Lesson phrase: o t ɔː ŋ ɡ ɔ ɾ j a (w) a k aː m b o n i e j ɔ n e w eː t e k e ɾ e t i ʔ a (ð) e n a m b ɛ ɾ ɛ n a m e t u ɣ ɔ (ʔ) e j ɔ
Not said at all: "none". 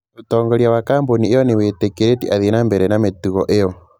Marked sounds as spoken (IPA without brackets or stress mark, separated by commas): w, ð, ʔ